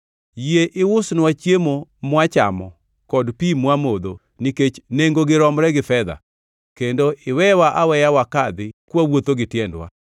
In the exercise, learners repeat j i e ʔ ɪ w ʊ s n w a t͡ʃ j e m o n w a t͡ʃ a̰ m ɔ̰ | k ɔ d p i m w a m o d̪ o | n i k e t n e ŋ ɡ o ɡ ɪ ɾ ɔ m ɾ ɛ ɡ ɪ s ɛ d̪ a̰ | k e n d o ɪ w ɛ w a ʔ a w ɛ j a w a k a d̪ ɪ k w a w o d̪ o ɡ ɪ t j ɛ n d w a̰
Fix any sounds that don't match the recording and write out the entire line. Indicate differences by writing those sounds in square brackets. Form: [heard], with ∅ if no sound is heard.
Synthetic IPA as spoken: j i e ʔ ɪ w ʊ s n w a t͡ʃ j e m o [m] w a t͡ʃ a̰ m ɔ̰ | k ɔ d p i m w a m o d̪ o | n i k e [t͡ʃ] n e ŋ ɡ o ɡ ɪ ɾ ɔ m ɾ ɛ ɡ ɪ [f] ɛ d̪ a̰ | k e n d o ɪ w ɛ w a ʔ a w ɛ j a w a k a d̪ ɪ k w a w o [t̪] o ɡ ɪ t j ɛ n d w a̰